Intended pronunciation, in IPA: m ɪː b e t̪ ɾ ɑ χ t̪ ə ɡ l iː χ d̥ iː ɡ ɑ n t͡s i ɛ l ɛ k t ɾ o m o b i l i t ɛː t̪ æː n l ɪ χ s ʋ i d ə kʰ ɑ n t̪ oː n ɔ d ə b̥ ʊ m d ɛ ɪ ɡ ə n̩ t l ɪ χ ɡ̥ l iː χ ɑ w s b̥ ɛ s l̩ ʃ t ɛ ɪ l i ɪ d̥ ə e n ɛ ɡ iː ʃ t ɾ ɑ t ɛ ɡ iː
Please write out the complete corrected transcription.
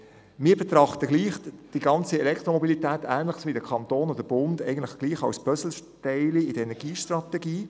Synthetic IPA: m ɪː b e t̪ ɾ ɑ χ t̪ ə ɡ l iː χ d̥ i ɡ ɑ n t͡s i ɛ l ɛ k t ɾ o m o b i l i t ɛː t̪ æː n l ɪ χ s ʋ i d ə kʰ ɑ n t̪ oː n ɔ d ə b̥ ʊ n d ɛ ɪ ɡ ə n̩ t l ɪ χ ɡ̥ l iː χ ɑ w s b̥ œ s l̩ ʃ t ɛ ɪ l i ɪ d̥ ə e n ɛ ɡ iː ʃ t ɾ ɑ t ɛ ɡ iː